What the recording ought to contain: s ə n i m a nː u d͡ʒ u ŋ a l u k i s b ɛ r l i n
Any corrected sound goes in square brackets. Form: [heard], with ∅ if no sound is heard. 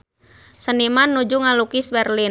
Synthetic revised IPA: s ə n i m a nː u d͡ʒ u ŋ a l u k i s b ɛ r l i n